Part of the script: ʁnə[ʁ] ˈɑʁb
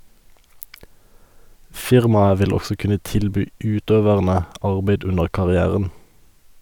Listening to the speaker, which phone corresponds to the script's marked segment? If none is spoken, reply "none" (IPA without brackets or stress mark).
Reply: none